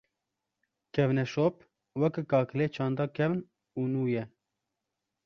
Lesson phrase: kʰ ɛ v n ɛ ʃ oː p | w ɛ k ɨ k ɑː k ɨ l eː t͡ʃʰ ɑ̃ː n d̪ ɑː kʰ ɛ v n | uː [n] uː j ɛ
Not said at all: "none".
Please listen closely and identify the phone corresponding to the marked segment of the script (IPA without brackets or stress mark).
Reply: n